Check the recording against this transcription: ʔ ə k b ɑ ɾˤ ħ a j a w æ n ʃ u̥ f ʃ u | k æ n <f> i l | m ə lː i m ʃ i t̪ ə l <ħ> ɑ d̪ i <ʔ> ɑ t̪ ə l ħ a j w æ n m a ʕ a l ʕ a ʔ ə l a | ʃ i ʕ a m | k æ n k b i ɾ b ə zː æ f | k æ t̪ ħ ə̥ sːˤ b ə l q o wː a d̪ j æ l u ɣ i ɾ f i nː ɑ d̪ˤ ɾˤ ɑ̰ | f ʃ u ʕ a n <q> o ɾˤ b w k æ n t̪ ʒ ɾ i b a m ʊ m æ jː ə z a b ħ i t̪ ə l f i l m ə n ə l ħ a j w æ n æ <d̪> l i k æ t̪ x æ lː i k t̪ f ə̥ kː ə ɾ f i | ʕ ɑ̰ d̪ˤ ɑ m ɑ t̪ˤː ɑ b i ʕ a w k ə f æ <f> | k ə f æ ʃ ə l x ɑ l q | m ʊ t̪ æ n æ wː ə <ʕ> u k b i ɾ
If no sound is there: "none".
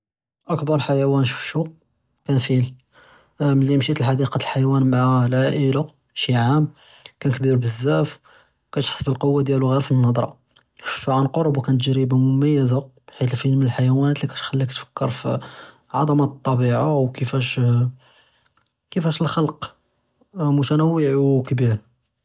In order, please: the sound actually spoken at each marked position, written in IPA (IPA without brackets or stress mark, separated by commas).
f, ħ, q, q, t̪, ʃ, ʕ